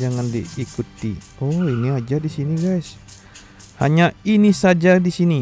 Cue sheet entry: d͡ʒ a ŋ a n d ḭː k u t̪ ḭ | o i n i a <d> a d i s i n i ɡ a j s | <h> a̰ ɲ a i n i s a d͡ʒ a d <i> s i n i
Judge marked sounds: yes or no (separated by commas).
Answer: no, yes, yes